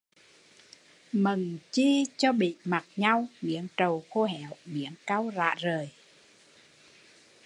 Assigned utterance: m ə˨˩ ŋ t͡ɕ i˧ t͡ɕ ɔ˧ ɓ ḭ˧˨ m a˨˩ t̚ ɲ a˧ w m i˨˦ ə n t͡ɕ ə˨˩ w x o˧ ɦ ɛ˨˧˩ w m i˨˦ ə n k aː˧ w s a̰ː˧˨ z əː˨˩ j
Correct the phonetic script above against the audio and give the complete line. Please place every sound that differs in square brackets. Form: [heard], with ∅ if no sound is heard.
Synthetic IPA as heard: m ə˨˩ ŋ t͡ɕ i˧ t͡ɕ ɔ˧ ɓ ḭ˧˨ m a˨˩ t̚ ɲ a˧ w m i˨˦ ə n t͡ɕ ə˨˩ w x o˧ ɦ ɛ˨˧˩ w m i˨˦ ə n k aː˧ w [z] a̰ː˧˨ z əː˨˩ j